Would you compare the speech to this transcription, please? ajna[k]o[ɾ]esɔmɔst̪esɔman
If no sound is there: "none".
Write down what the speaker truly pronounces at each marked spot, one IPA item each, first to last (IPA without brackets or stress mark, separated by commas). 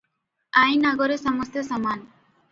ɡ, ɾ